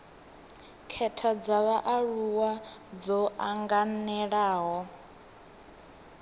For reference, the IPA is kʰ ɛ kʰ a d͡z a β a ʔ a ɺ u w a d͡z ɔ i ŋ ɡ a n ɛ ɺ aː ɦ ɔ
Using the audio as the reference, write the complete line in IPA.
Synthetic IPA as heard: kʰ ɛ tʰ a d͡z a β a ʔ a ɺ u w a d͡z ɔ a ŋ ɡ a n ɛ ɺ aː ɦ ɔ